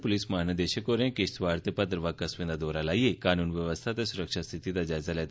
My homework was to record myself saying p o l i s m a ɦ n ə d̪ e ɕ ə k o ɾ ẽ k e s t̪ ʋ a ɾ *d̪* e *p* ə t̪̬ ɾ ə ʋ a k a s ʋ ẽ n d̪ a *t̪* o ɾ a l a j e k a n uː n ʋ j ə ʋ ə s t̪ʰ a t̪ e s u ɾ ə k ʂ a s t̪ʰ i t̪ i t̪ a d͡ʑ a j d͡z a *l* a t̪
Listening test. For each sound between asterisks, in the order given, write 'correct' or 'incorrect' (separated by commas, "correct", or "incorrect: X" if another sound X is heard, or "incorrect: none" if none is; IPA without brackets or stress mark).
incorrect: t̪, correct, incorrect: d̪, correct